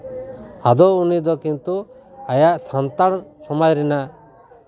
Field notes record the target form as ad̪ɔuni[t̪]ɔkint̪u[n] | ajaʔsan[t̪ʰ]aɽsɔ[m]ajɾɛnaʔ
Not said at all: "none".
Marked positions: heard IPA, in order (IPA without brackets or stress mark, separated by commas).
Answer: d̪, none, t̪, m